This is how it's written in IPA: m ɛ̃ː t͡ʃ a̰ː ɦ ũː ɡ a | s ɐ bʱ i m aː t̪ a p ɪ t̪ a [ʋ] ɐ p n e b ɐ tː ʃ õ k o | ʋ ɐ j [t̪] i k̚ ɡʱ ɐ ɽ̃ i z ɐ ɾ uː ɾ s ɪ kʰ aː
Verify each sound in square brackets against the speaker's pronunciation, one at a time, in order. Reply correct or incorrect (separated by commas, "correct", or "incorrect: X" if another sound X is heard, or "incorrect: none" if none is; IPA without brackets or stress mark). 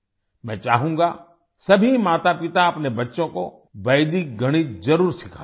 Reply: incorrect: none, incorrect: d̪